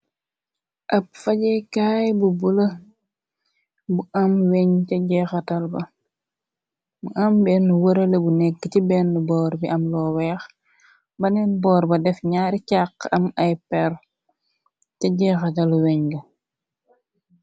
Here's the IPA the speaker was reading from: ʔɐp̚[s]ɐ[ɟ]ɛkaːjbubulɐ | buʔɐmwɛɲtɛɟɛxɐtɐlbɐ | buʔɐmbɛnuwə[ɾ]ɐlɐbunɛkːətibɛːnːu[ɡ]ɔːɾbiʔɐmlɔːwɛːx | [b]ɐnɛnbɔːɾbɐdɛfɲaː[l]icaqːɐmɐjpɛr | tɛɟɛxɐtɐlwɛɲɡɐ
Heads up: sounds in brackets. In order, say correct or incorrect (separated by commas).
incorrect, correct, correct, incorrect, correct, incorrect